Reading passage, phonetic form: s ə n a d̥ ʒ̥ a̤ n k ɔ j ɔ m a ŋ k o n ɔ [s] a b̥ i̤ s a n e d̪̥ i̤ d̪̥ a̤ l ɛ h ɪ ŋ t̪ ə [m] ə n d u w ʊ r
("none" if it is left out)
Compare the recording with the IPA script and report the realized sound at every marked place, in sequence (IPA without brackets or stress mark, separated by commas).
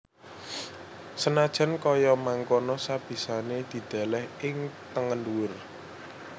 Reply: s, ŋ